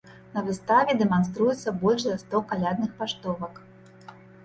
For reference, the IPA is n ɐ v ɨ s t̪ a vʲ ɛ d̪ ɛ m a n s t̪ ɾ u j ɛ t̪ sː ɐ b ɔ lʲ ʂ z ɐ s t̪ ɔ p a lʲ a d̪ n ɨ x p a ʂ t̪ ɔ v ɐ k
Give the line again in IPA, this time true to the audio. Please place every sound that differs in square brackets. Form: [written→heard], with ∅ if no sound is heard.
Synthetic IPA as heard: n ɐ v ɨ s t̪ a vʲ ɛ d̪ ɛ m a n s t̪ ɾ u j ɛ t̪ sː ɐ b ɔ lʲ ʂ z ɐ s t̪ ɔ [p→k] a lʲ a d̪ n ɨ x p a ʂ t̪ ɔ v ɐ k